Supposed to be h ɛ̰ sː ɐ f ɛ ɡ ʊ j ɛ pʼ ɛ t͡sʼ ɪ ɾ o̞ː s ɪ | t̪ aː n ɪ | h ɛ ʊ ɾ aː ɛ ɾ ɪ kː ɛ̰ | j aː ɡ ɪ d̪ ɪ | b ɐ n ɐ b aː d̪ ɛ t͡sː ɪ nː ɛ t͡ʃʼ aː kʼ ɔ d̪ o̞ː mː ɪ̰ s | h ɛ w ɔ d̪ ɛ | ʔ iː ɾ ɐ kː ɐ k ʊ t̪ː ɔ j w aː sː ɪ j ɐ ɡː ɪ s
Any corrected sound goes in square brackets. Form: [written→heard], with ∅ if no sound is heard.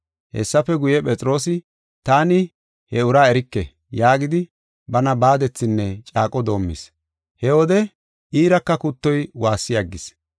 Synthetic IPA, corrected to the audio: h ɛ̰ sː ɐ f ɛ ɡ ʊ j ɛ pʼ ɛ t͡sʼ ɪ ɾ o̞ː s ɪ | t̪ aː n ɪ | h ɛ ʊ ɾ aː ɛ ɾ ɪ kː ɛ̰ | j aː ɡ ɪ d̪ ɪ | b ɐ n ɐ b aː d̪ ɛ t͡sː ɪ nː ɛ t͡ʃʼ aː kʼ ɔ d̪ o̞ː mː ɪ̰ s | h ɛ w ɔ d̪ ɛ | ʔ iː ɾ ɐ kː ɐ k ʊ t̪ː ɔ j w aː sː ɪ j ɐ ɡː ɪ s